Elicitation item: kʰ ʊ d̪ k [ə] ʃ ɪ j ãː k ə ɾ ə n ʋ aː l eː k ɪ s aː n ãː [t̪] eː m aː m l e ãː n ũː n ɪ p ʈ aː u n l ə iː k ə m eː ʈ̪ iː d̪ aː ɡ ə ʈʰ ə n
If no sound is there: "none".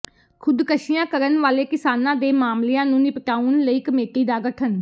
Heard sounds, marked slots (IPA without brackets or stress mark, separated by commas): ə, d̪